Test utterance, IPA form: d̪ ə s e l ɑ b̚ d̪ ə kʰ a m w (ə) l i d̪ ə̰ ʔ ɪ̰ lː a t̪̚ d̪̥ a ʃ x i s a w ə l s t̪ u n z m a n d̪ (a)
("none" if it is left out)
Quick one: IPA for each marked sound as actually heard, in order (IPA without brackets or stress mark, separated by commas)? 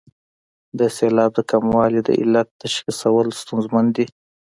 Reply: ɑ, i